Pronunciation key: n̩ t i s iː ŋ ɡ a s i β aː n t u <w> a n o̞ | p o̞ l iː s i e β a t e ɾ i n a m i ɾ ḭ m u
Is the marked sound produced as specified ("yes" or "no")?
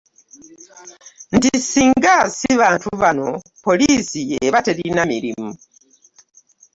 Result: no